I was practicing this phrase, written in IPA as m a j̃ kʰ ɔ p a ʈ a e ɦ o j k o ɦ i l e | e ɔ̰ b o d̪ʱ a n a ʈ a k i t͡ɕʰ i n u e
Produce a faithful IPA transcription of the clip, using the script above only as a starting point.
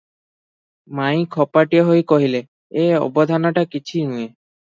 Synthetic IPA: m a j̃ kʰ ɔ p a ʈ i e ɦ o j k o ɦ i l e | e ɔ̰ b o d̪ʱ a n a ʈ a k i t͡ɕʰ i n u e